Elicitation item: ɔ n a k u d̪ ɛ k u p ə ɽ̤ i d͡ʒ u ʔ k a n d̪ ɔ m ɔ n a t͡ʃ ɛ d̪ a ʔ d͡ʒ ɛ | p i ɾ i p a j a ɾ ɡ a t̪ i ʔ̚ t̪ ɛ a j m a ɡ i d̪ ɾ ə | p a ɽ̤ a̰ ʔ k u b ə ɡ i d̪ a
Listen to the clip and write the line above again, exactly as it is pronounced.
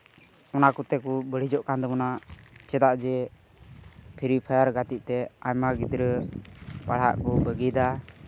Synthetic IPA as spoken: ɔ n a k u t̪ ɛ k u b ə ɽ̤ i d͡ʒ ɔ ʔ k a n d̪ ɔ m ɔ n a t͡ʃ ɛ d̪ a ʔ d͡ʒ ɛ | pʰ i ɾ i pʰ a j a ɾ ɡ a t̪ i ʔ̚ t̪ ɛ a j m a ɡ i d̪ ɾ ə | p a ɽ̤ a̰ ʔ k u b ə ɡ i d̪ a